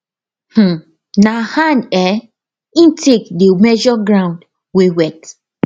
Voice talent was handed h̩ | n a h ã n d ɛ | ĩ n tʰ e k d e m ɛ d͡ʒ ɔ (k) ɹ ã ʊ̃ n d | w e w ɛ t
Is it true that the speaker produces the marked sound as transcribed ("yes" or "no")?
no